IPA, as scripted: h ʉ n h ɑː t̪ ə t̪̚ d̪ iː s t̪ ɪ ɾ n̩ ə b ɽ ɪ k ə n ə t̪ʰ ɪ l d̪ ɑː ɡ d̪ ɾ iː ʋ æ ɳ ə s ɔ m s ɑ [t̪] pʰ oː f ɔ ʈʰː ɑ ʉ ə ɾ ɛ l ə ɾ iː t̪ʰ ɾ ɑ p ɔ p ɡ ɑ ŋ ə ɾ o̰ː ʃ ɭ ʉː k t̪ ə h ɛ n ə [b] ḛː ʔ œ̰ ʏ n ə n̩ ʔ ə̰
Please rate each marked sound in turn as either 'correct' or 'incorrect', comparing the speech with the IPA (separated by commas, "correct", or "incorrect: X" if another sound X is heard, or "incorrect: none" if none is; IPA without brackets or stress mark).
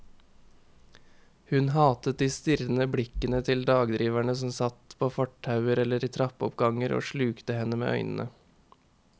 correct, incorrect: m